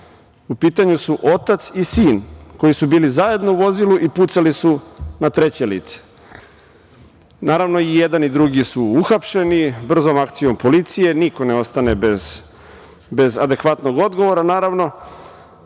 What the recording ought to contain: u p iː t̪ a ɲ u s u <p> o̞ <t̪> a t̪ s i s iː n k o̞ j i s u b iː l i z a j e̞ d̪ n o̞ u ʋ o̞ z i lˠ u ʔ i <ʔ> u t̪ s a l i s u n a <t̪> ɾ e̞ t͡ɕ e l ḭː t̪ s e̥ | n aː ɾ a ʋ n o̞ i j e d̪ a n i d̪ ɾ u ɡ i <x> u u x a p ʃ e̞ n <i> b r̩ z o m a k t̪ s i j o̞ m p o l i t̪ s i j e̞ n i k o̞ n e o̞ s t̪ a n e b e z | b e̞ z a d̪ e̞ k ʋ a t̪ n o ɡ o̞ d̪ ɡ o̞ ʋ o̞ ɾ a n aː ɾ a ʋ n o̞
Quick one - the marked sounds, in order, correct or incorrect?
incorrect: ʔ, correct, incorrect: p, correct, incorrect: s, correct

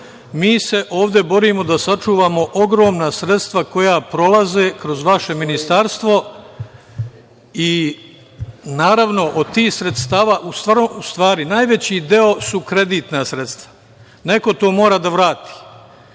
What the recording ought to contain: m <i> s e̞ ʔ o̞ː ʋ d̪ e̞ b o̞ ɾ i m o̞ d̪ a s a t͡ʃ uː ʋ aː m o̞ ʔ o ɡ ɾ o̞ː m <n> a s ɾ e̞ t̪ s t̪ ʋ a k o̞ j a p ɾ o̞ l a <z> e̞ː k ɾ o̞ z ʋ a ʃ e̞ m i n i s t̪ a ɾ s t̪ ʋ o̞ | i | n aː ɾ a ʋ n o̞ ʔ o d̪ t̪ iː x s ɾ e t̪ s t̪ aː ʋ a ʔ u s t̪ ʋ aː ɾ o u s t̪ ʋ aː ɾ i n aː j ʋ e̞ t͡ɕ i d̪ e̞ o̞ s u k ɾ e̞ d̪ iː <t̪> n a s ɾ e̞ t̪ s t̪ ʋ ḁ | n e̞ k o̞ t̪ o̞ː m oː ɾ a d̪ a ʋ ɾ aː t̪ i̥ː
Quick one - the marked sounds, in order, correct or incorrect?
incorrect: iː, correct, correct, correct

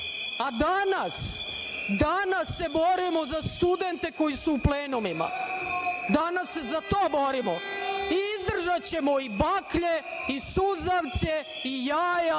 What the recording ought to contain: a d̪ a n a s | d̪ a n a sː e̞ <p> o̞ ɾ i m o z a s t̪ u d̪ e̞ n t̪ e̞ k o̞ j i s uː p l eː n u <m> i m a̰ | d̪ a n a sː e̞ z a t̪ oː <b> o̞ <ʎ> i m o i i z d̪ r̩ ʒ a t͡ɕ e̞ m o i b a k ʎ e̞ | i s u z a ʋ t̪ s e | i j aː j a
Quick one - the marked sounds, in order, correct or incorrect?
incorrect: b, correct, correct, incorrect: ɾ

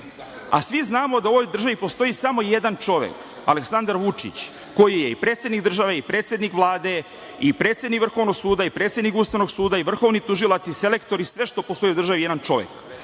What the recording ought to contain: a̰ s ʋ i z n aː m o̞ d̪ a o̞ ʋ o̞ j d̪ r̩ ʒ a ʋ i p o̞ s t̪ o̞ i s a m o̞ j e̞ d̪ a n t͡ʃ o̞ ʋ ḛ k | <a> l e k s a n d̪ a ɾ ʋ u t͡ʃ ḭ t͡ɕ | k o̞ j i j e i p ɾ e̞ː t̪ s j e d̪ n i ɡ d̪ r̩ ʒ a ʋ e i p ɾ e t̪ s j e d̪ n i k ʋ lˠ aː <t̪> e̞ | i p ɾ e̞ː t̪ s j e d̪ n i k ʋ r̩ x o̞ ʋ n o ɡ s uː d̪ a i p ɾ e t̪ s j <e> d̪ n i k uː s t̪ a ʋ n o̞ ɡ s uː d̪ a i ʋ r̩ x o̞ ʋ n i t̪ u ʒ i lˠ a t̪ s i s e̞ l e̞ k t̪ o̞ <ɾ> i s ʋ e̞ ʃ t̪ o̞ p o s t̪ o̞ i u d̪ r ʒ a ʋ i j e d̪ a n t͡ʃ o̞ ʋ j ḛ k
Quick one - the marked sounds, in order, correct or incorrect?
correct, incorrect: d̪, correct, correct

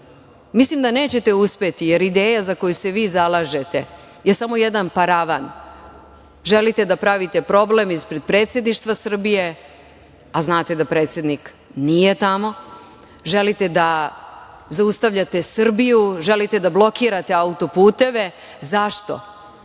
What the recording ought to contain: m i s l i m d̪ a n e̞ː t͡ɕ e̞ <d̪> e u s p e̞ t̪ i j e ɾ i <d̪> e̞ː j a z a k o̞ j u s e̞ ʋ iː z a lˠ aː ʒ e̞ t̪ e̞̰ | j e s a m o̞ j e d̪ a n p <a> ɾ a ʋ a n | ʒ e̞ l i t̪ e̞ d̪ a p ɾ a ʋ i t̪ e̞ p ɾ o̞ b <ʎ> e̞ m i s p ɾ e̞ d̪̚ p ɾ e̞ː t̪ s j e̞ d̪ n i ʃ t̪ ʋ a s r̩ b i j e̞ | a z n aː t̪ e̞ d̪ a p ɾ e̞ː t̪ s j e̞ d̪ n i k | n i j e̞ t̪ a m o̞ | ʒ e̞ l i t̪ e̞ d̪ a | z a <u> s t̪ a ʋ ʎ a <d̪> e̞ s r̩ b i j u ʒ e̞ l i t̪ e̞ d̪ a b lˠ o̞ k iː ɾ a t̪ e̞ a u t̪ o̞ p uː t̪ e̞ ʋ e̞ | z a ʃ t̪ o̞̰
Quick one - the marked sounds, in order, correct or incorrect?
incorrect: t̪, correct, correct, incorrect: l, correct, incorrect: t̪

